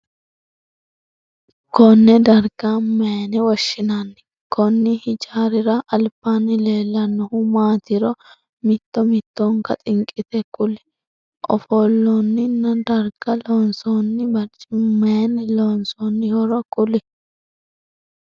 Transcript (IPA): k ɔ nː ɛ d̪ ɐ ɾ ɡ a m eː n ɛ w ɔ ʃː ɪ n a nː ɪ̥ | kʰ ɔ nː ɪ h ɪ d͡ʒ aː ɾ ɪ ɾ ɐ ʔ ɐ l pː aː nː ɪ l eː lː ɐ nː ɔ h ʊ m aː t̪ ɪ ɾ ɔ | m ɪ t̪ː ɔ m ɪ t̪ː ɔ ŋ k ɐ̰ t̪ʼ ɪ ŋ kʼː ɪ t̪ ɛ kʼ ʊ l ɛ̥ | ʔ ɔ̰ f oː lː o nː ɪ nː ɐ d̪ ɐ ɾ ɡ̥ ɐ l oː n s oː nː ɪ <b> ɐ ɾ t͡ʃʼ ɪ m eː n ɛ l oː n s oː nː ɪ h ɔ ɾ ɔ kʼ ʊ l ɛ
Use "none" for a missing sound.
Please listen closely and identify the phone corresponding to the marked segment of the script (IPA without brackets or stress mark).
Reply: b